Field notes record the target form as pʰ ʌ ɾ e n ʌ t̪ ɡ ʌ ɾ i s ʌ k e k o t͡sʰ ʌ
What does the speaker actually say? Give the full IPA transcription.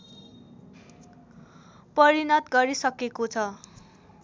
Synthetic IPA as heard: p ʌ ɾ i n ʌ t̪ ɡ ʌ ɾ i s ʌ k e k o t͡sʰ ʌ